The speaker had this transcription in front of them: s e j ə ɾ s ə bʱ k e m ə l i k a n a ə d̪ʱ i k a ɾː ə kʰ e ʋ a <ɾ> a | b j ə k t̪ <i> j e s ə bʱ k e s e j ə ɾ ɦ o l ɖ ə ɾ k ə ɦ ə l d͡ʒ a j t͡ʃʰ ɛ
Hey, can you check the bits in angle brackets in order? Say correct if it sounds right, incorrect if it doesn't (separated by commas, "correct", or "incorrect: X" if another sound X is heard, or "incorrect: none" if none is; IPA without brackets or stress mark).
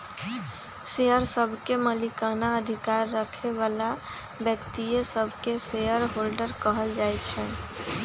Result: incorrect: l, correct